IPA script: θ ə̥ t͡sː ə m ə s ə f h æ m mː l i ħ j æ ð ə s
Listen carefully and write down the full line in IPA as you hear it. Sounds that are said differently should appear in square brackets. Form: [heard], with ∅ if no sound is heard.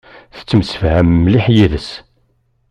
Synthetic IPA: θ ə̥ t͡sː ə m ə s ə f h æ m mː l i ħ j [i] ð ə s